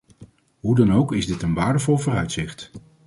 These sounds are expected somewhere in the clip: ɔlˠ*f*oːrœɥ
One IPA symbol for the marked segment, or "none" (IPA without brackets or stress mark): v